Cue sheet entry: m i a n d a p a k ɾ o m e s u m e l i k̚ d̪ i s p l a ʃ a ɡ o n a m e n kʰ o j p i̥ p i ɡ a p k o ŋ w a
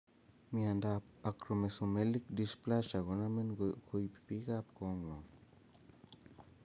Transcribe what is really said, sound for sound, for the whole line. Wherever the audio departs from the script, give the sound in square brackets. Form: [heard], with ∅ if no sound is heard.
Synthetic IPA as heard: m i a n d a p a k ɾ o m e s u m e l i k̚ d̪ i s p l a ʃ a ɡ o n a m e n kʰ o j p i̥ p i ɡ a p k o ŋ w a